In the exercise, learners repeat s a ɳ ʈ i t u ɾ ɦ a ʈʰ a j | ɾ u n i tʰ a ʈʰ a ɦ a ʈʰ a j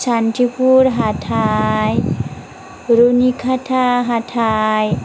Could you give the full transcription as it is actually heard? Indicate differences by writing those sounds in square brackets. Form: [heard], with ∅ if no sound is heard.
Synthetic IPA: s a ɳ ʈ i [p] u ɾ ɦ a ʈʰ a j | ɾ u n i [kʰ] a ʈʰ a ɦ a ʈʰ a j